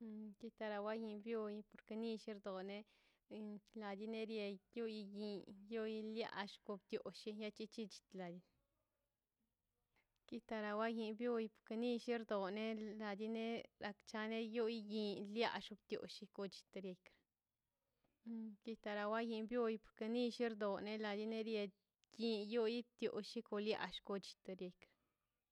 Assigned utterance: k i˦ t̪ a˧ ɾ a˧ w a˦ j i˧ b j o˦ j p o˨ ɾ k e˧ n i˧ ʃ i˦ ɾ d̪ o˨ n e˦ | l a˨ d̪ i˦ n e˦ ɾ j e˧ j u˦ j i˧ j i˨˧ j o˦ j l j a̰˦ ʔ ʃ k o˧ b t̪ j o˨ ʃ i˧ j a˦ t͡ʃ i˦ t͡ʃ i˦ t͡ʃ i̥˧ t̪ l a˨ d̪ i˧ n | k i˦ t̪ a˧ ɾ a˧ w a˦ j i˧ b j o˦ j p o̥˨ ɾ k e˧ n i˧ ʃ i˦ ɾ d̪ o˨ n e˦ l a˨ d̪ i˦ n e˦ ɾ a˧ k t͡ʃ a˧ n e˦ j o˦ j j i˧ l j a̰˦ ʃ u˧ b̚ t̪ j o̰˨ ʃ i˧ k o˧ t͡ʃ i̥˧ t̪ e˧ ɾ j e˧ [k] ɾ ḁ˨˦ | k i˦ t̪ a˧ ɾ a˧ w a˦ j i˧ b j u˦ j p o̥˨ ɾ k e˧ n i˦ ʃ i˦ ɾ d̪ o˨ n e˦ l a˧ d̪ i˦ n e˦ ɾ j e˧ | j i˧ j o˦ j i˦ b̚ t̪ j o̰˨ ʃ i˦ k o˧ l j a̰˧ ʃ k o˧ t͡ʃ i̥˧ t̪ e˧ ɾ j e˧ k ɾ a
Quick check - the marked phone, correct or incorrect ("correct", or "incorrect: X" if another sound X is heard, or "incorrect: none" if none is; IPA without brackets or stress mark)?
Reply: correct